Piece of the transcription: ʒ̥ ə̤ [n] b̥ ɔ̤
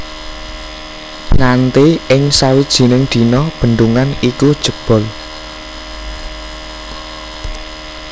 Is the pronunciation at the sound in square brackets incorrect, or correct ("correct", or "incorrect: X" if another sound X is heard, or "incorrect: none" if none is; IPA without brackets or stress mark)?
incorrect: none